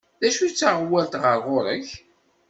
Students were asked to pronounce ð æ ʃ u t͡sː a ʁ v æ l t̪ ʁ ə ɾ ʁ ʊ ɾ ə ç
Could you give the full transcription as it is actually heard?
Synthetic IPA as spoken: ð æ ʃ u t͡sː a ʁ w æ l t̪ ʁ ə ɾ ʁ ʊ ɾ ə ç